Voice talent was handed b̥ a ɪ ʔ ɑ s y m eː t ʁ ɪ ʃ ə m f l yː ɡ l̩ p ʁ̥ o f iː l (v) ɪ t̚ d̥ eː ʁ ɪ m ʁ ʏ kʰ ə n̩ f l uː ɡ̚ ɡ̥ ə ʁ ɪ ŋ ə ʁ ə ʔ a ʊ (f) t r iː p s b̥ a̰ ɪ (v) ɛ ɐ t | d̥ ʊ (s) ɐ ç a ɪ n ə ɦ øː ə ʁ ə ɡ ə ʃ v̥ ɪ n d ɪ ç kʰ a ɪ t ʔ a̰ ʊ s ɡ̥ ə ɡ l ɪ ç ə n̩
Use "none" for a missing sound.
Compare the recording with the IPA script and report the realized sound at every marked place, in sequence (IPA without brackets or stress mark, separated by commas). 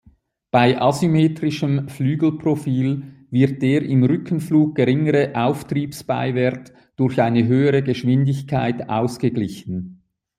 v, f, v, none